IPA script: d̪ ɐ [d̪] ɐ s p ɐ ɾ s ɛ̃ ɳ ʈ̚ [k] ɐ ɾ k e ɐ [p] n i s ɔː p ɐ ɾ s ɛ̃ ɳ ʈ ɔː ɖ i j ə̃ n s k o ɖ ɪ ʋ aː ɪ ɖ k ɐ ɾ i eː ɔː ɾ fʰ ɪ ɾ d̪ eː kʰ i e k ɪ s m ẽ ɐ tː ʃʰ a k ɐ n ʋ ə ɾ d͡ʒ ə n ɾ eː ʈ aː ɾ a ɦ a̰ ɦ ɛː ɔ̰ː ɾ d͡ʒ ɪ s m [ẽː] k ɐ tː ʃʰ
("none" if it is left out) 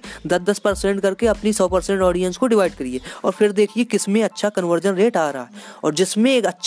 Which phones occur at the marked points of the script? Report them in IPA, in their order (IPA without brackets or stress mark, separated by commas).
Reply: d̪, k, p, ẽː